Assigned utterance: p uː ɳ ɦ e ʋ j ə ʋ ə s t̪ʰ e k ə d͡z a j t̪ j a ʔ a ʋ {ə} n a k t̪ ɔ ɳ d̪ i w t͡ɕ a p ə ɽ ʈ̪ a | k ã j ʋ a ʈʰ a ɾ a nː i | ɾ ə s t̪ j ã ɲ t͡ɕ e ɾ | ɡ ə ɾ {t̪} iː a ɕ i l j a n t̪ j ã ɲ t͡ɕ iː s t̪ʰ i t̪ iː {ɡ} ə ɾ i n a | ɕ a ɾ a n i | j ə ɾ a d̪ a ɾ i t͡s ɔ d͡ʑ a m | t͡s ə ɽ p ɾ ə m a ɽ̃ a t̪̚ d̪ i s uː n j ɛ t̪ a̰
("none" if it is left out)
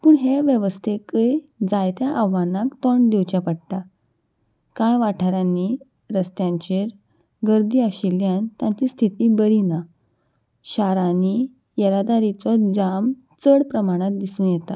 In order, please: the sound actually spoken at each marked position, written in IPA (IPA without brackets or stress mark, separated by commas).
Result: a, d̪, b